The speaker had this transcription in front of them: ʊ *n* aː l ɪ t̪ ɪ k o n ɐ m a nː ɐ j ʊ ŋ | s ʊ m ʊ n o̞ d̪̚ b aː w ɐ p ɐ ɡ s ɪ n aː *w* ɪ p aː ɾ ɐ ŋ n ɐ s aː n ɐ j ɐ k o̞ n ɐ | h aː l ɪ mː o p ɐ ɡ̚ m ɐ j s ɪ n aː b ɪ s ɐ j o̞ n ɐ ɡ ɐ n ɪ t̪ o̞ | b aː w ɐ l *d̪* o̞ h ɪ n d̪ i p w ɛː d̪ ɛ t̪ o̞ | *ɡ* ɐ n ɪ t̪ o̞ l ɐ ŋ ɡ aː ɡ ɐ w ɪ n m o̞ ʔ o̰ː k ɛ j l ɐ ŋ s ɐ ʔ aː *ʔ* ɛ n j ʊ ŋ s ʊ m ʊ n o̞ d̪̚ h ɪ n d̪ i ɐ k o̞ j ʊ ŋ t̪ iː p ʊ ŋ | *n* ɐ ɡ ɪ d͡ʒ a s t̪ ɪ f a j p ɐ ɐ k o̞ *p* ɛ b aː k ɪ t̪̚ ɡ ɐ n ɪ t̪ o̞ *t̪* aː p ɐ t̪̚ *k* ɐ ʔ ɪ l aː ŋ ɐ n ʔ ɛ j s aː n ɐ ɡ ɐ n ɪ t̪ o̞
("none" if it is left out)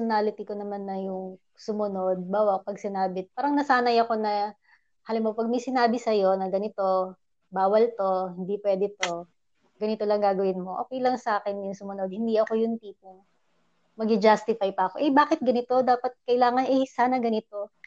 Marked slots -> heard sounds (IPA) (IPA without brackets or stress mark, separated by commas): n, b, t̪, ɡ, k, m, ʔ, d̪, k